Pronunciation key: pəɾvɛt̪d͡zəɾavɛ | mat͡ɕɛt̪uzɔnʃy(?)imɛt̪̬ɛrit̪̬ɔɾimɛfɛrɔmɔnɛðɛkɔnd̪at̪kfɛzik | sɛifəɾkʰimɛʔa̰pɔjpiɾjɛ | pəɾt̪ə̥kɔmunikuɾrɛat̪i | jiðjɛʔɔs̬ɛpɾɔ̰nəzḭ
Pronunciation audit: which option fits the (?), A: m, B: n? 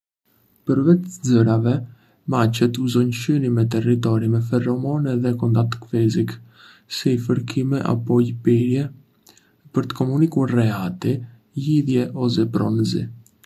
B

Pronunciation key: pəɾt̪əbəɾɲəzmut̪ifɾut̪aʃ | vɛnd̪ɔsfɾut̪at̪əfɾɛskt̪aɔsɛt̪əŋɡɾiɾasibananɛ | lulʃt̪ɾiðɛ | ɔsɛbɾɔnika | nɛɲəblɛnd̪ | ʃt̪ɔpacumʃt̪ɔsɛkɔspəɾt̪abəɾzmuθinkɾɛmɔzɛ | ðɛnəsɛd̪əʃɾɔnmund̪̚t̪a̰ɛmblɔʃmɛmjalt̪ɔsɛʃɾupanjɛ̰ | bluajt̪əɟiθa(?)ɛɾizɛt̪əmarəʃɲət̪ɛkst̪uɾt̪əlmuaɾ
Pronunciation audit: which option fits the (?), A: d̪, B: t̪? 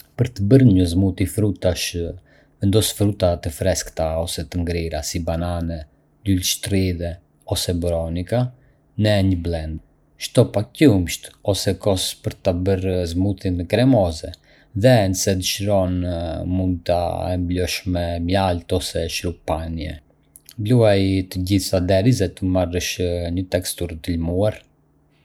A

